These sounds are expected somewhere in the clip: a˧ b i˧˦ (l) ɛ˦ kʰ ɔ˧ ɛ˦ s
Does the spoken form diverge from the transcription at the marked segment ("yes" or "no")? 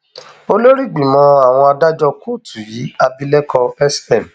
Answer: no